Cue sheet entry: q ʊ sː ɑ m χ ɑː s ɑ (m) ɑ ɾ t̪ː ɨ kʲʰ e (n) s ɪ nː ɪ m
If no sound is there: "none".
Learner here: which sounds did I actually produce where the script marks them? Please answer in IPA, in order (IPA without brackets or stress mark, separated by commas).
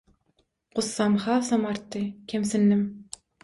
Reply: m, m